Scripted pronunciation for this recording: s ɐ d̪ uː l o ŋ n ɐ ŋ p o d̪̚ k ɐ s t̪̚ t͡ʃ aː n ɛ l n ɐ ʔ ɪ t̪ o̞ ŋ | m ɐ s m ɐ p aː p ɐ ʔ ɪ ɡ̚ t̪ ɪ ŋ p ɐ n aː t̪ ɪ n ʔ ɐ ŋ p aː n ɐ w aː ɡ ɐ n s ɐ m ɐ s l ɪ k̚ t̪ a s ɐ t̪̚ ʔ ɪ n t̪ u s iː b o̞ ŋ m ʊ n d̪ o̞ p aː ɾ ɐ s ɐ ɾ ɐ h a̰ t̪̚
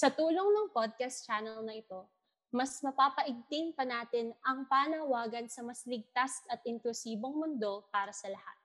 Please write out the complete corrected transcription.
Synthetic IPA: s ɐ t̪ uː l o ŋ n ɐ ŋ p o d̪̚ k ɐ s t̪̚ t͡ʃ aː n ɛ l n ɐ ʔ ɪ t̪ o̞ | m ɐ s m ɐ p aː p ɐ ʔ ɪ ɡ̚ t̪ ɪ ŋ p ɐ n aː t̪ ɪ n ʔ ɐ ŋ p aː n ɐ w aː ɡ ɐ n s ɐ m ɐ s l ɪ ɡ̚ t̪ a s ɐ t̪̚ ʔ ɪ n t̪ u s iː b o̞ ŋ m ʊ n d̪ o̞ p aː ɾ ɐ s ɐ l ɐ h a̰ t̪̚